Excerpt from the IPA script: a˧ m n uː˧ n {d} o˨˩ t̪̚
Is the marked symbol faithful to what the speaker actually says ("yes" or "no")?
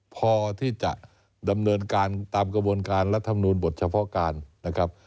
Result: no